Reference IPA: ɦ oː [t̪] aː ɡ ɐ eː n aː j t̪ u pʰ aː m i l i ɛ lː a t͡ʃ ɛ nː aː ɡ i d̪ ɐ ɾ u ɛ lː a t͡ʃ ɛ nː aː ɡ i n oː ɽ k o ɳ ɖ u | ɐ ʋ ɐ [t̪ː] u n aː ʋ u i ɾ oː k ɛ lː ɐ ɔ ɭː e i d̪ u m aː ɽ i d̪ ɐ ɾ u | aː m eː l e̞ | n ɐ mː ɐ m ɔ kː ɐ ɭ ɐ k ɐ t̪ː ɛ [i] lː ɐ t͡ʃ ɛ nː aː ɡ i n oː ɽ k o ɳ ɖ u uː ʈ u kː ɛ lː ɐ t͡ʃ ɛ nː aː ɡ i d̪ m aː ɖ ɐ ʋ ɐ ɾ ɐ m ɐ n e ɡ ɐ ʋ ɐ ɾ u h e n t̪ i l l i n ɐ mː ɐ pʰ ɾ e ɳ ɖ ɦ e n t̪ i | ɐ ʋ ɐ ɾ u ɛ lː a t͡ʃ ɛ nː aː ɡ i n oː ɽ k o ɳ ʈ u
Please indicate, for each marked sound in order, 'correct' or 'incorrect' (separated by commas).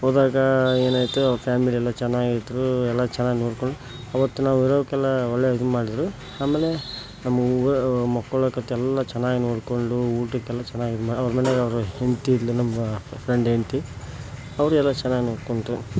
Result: incorrect, correct, incorrect